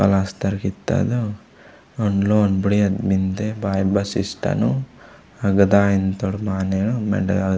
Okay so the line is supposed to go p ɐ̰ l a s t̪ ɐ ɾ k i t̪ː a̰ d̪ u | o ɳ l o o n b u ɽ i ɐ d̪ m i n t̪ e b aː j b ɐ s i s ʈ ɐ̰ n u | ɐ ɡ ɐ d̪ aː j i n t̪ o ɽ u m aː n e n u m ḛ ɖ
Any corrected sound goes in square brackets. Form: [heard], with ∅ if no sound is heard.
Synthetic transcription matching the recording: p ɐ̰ l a s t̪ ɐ ɾ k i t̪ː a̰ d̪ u | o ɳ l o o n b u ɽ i ɐ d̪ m i n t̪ e b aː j b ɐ s i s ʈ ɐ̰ n u | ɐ ɡ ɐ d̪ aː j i n t̪ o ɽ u m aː n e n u m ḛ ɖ